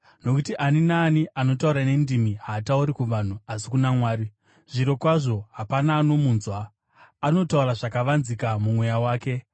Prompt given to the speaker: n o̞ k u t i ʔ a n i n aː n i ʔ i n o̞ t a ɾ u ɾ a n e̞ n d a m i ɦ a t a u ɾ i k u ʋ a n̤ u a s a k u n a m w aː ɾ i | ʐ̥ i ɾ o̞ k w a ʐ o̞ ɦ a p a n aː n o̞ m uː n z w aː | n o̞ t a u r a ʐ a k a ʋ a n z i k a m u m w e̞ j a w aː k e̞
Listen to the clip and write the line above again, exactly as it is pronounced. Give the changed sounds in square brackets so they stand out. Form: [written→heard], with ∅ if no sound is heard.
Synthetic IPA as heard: n o̞ k u t i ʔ a n i n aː n i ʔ [i→a] n o̞ t a [ɾ→∅] u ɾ a n e̞ n d [a→i] m i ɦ a t a u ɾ i k u ʋ a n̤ u a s [a→i] k u n a m w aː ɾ i | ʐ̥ i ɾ o̞ k w a ʐ o̞ ɦ a p a n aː n o̞ m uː n z w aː | n o̞ t a u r a ʐ a k a ʋ a n z i k a m u m w e̞ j a w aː k e̞